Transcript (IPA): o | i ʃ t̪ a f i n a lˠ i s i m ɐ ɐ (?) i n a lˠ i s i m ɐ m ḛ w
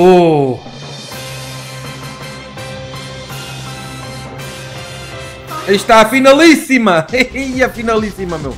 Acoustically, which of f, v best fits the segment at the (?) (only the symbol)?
f